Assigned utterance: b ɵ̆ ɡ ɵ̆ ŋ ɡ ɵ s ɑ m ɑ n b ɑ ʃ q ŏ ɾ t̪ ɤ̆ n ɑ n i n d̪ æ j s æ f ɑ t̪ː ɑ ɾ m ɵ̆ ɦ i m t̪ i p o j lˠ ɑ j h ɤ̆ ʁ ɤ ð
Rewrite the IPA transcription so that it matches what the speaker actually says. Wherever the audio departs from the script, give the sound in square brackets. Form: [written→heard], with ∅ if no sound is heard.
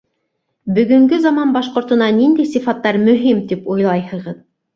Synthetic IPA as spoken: b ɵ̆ ɡ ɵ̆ ŋ ɡ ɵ [s→z] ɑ m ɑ n b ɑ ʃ q ŏ ɾ t̪ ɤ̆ n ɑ n i n d̪ æ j s [æ→i] f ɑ t̪ː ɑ ɾ m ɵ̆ ɦ i m t̪ i p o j lˠ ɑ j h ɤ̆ ʁ ɤ ð